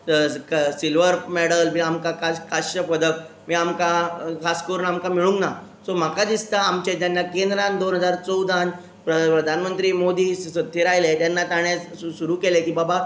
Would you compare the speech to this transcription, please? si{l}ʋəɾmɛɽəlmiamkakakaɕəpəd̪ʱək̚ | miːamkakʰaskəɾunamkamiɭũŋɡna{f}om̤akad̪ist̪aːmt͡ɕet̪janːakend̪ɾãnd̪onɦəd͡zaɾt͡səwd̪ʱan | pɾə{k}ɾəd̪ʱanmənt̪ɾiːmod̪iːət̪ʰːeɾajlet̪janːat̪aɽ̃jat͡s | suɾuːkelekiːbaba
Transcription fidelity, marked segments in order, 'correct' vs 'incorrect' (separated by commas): correct, incorrect, incorrect